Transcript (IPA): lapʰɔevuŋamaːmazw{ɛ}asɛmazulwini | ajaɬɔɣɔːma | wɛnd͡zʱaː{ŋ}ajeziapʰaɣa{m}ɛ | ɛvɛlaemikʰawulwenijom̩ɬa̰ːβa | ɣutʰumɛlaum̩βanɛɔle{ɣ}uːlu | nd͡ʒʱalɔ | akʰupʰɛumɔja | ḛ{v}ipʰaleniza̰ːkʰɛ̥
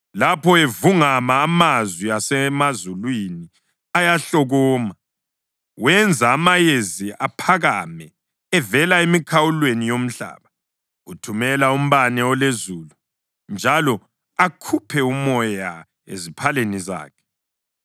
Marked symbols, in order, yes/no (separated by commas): no, no, yes, no, no